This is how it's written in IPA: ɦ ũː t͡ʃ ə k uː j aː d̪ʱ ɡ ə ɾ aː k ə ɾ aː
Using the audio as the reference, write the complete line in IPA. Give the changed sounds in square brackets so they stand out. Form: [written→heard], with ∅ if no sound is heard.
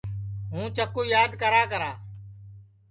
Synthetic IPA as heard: ɦ ũː t͡ʃ ə k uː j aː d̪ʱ [ɡ→k] ə ɾ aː k ə ɾ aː